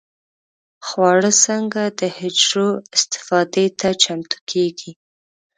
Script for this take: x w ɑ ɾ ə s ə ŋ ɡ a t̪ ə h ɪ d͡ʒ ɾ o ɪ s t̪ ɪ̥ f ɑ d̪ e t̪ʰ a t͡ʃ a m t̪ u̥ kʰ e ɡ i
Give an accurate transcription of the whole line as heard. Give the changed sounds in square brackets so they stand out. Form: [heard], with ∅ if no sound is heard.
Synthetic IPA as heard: x w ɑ [ɽ] ə s ə ŋ ɡ a [d̪] ə h ɪ d͡ʒ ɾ o ɪ s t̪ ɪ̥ f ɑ d̪ e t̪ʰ a t͡ʃ a m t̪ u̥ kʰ e ɡ i